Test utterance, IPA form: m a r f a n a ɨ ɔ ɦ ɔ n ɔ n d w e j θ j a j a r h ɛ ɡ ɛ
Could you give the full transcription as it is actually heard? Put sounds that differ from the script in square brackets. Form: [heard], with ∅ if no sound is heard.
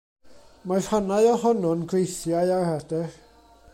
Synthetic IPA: m a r [h] a n a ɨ ɔ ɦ ɔ n ɔ n [ɡ] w e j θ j a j a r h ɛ [d] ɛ